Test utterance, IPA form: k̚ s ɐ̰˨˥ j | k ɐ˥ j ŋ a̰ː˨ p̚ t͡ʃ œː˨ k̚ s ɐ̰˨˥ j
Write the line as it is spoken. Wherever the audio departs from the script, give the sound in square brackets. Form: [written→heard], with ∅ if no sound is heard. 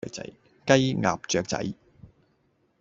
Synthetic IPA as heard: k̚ [s→t͡s] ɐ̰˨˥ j | k ɐ˥ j ŋ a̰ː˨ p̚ t͡ʃ œː˨ k̚ [s→t͡s] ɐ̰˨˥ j